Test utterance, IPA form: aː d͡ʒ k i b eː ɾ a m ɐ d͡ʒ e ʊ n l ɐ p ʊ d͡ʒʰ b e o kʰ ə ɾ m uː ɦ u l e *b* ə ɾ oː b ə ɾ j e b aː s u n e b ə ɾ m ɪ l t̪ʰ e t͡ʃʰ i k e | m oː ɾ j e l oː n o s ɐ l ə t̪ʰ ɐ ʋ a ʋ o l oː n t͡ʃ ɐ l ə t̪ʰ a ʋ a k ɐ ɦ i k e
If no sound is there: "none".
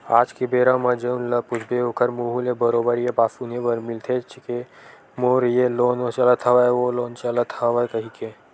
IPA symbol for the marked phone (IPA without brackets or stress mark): b